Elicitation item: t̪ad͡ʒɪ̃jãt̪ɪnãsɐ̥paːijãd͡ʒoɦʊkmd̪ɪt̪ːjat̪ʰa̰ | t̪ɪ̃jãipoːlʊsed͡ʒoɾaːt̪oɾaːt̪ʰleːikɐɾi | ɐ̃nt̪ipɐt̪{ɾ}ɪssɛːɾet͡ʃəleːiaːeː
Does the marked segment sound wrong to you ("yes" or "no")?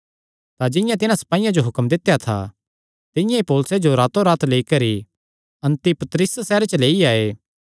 no